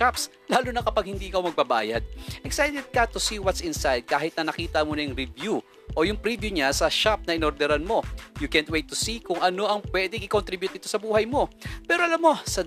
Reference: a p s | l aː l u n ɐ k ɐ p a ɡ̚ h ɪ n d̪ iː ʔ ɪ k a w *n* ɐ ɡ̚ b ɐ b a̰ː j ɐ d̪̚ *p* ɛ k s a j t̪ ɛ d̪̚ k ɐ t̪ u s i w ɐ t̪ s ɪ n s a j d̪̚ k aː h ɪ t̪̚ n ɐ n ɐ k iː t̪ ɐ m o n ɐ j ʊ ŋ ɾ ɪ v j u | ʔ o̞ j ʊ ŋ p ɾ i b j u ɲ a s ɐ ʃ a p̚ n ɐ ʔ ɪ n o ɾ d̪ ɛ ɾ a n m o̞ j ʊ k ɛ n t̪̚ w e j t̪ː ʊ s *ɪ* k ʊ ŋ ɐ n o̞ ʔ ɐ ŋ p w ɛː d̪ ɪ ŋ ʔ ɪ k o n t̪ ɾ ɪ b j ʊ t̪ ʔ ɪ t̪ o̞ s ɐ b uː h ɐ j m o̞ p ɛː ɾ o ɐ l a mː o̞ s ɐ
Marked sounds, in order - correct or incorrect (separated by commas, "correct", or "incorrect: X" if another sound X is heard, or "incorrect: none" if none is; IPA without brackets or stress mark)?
incorrect: m, incorrect: ʔ, incorrect: i